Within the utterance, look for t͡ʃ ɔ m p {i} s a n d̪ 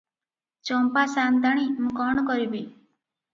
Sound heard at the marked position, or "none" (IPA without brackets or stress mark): a